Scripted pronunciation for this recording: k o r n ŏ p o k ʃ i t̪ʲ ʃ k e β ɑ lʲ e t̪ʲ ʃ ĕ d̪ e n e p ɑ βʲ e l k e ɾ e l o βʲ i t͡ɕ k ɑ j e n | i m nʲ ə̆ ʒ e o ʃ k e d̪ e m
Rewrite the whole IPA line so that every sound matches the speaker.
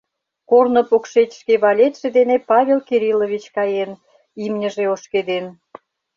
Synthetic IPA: k o r n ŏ p o k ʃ e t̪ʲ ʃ k e β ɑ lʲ e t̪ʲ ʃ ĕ d̪ e n e p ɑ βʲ e l k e ɾ i l o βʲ i t͡ɕ k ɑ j e n | i m nʲ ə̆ ʒ e o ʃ k e d̪ e n